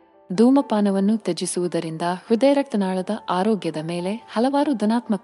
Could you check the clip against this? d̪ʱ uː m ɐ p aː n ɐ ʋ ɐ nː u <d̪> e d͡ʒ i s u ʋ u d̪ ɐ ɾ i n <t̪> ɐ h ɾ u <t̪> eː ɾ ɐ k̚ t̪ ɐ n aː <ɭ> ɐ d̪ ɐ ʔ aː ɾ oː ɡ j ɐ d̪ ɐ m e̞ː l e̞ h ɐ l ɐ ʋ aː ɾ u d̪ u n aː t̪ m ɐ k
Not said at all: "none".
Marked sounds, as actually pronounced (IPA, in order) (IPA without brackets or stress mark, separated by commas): t̪, d̪, d̪, ɭ